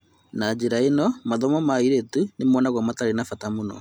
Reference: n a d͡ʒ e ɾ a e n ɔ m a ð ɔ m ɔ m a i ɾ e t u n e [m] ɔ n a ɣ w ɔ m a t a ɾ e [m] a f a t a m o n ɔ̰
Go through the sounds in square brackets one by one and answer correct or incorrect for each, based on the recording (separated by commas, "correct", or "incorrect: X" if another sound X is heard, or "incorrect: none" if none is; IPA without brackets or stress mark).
correct, incorrect: n